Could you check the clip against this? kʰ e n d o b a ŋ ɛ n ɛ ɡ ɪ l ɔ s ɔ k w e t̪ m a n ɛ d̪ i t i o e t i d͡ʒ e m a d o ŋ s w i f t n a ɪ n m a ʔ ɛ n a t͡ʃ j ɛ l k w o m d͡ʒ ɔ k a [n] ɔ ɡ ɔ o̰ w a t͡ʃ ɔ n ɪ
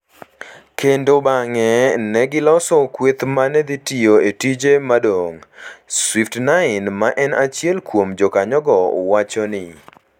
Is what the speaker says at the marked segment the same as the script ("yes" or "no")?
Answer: no